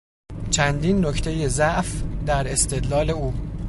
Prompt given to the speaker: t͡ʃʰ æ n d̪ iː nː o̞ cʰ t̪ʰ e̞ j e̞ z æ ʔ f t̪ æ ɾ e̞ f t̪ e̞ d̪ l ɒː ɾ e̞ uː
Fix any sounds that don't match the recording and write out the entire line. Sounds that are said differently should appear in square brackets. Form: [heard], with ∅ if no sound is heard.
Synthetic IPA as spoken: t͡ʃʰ æ n d̪ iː nː o̞ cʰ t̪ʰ e̞ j e̞ z æ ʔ f [d̪] æ ɾ e̞ [s] t̪ e̞ d̪ l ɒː [l] e̞ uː